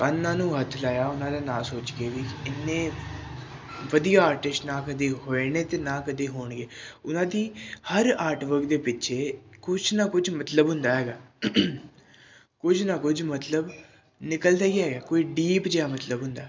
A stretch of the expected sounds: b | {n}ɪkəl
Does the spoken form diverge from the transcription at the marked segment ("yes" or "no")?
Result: no